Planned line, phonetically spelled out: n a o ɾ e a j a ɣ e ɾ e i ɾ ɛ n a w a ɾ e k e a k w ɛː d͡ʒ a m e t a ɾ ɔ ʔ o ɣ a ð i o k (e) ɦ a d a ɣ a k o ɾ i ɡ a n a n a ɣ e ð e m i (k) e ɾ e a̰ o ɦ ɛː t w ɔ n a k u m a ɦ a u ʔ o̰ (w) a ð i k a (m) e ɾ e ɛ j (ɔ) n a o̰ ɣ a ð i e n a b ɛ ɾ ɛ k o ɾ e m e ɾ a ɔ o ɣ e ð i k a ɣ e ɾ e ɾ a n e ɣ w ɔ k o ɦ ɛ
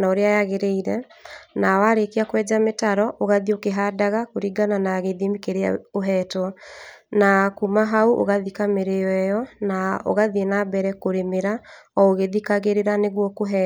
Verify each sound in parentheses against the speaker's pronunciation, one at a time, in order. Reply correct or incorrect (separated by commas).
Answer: correct, correct, incorrect, correct, correct